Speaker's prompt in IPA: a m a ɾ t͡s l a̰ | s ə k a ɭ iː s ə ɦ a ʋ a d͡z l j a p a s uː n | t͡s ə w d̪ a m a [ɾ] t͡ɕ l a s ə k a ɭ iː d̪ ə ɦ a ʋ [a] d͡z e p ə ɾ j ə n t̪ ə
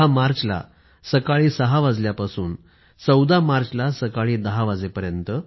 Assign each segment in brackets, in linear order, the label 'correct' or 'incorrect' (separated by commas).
correct, correct